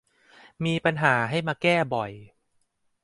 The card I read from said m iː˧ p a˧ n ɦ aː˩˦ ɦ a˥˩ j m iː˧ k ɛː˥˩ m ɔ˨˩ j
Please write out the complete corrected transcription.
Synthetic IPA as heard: m iː˧ p a˧ n ɦ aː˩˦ ɦ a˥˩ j m aː˧ k ɛː˥˩ b ɔ˨˩ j